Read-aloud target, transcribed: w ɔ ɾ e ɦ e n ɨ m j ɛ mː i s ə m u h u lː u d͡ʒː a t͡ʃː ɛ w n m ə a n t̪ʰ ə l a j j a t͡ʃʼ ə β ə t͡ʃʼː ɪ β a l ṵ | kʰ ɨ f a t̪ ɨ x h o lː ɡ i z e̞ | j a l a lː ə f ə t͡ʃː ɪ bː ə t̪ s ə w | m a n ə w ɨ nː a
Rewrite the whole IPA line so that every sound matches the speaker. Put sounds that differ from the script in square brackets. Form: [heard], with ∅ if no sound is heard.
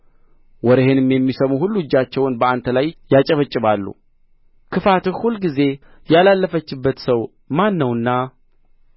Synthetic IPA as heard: w ɔ ɾ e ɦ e n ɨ m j ɛ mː i s ə m u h u lː u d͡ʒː a t͡ʃː ɛ w n [b] ə a n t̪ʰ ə l a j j a t͡ʃʼ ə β ə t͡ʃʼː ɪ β a [lː] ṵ | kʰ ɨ f a t̪ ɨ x h [u] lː ɡ i z e̞ | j a l a lː ə f ə t͡ʃː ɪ bː ə t̪ s ə w | m a [nː] ə w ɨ nː a